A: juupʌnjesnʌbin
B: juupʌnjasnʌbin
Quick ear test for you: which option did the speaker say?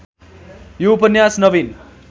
B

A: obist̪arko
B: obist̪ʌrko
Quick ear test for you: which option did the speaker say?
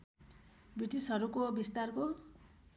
A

